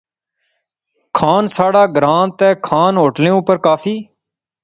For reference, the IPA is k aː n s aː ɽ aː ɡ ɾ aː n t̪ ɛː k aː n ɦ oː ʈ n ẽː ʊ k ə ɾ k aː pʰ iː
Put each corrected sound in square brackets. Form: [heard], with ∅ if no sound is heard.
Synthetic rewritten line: [kʰ] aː n s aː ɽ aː ɡ ɾ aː n t̪ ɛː [kʰ] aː n ɦ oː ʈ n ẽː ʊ [p] ə ɾ k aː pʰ iː